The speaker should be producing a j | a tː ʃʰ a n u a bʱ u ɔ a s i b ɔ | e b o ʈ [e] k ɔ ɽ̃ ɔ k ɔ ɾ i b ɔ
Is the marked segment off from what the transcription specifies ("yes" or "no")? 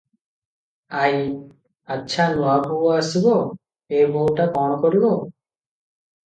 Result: yes